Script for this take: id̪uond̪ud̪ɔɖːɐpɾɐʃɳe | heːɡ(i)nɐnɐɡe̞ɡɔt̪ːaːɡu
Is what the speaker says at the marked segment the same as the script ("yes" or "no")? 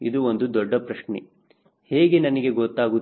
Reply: no